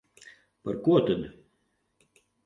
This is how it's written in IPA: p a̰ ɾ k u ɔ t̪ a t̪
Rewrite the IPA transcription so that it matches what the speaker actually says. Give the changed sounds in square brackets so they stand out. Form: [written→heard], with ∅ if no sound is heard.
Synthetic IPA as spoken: p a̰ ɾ k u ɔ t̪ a [t̪→d̪]

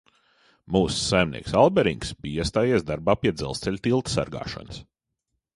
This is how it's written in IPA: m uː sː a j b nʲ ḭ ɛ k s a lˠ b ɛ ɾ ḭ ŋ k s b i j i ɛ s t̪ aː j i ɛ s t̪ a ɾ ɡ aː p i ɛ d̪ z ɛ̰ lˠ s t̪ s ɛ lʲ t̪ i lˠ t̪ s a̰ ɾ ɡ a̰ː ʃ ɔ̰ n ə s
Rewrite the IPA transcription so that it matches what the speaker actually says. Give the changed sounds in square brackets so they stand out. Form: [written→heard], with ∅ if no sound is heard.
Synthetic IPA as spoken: m uː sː a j [b→m] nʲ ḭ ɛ k s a lˠ b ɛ ɾ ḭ ŋ k s b i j i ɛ s t̪ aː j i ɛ s [t̪→d̪] a ɾ [ɡ→b] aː p i ɛ d̪ z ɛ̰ lˠ s t̪ s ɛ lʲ t̪ i lˠ t̪ s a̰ ɾ ɡ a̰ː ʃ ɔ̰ n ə s

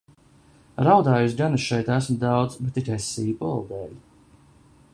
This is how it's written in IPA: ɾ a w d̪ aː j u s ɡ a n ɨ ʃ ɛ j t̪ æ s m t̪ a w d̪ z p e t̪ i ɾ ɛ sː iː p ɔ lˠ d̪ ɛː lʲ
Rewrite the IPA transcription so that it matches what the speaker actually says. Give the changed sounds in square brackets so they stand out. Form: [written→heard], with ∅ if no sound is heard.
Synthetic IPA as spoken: ɾ a w d̪ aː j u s ɡ a n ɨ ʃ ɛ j t̪ æ s m [t̪→d̪] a w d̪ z [p→b] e t̪ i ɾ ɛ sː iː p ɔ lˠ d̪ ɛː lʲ

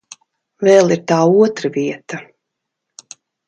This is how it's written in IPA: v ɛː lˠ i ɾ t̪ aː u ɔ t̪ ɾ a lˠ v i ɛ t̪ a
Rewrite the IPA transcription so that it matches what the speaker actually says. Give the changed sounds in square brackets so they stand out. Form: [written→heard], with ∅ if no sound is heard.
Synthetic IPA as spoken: v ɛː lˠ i ɾ t̪ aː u ɔ t̪ ɾ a [lˠ→∅] v i ɛ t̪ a

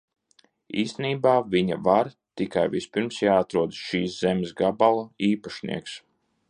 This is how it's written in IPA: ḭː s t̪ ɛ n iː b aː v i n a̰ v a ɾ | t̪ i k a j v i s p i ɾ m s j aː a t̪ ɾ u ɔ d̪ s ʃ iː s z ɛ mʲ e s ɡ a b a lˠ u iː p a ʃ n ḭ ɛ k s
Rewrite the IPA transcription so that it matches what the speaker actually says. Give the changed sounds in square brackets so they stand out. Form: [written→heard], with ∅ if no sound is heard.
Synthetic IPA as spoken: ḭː s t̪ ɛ n iː b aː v i [n→ɲ] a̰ v a ɾ | t̪ i k a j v i s p i ɾ m s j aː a t̪ ɾ u ɔ d̪ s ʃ iː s z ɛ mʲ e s ɡ a b a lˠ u iː p a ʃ n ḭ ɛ k s

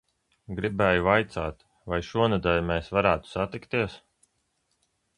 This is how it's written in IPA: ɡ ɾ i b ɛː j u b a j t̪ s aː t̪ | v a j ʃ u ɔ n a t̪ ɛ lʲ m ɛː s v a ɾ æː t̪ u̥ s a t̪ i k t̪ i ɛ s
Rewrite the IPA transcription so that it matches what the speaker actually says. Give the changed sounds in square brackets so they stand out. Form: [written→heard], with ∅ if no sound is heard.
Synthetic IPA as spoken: ɡ ɾ i b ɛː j u [b→v] a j t̪ s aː t̪ | v a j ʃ u ɔ n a [t̪→d̪] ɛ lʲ m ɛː s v a ɾ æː t̪ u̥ s a t̪ i k t̪ i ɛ s

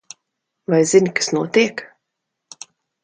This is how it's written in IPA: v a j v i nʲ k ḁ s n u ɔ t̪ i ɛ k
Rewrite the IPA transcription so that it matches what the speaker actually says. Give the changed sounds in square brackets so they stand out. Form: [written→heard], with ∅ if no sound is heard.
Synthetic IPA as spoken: v a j [v→z] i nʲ k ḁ s n u ɔ t̪ i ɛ k

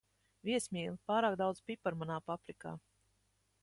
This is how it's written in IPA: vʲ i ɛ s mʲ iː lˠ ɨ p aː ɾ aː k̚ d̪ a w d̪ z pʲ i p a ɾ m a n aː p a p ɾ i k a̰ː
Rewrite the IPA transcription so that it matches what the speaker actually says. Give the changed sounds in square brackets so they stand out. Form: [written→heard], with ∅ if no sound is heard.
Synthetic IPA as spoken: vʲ i ɛ s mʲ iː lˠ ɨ p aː ɾ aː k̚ d̪ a w d̪ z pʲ i p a ɾ m a n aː p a p ɾ i k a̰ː

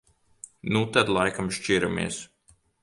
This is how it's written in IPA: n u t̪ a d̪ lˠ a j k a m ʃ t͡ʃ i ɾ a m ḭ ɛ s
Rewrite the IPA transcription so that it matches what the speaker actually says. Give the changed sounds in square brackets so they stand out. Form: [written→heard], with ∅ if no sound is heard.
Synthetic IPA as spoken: n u t̪ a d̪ lˠ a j k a m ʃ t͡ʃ i ɾ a m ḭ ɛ s

